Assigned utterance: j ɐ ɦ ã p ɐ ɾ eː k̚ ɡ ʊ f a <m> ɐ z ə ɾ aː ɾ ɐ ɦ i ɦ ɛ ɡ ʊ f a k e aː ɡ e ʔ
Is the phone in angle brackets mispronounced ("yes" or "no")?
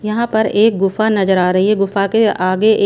yes